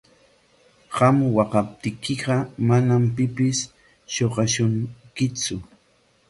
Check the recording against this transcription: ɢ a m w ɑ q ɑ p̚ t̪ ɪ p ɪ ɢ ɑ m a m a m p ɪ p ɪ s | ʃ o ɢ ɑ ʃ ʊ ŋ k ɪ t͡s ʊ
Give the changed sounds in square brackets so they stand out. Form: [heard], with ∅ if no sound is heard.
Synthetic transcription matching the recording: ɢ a m w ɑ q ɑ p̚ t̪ ɪ [k] ɪ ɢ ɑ m a [n] a m p ɪ p ɪ s | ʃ o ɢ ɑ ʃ ʊ ŋ k ɪ t͡s ʊ